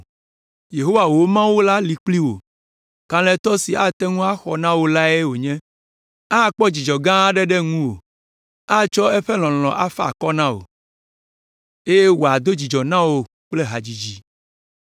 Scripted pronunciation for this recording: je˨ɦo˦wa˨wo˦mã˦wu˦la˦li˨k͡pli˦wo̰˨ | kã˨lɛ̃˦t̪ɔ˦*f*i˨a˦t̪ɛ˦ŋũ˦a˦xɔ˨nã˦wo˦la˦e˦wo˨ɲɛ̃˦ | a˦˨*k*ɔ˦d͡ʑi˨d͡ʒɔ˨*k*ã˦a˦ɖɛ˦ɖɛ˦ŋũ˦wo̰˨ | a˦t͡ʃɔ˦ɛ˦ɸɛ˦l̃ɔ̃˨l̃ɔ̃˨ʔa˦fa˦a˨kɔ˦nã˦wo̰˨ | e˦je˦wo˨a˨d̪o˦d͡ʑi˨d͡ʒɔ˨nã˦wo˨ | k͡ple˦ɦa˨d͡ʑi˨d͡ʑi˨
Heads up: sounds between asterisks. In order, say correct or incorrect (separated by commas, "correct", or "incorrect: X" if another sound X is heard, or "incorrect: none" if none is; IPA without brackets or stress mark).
incorrect: s, incorrect: k͡p, incorrect: ɡ